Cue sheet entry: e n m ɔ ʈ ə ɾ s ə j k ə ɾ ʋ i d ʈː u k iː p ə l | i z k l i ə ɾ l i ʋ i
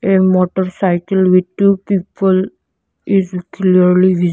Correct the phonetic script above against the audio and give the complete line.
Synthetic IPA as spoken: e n m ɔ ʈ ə ɾ s a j k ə l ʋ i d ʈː u p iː p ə l | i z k l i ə ɾ l i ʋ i